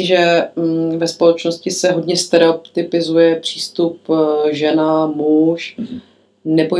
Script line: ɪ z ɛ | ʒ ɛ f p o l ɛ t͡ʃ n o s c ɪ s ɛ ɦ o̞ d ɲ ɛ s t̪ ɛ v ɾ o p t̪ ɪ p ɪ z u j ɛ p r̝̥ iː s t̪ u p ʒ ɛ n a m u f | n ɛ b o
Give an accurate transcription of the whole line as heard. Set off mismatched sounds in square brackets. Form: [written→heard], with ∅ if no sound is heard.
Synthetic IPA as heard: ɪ [z→ʒ] ɛ | [ʒ→v] ɛ [f→s] p o l ɛ t͡ʃ n o s c ɪ s ɛ ɦ o̞ d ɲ ɛ s t̪ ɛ [v→∅] ɾ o p t̪ ɪ p ɪ z u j ɛ p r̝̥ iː s t̪ u p ʒ ɛ n a m u [f→ʃ] | n ɛ b o